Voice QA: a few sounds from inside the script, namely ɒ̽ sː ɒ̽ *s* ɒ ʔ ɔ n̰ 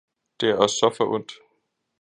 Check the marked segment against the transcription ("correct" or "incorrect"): incorrect